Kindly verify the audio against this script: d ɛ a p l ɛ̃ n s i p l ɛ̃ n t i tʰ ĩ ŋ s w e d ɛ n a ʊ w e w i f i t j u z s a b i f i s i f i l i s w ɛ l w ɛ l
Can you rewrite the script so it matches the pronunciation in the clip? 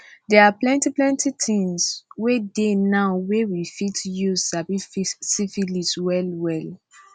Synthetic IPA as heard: d ɛ a p l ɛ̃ n t i p l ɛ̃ n t i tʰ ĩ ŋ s w e d e n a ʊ w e w i f i t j u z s a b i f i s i f i l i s w ɛ l w ɛ l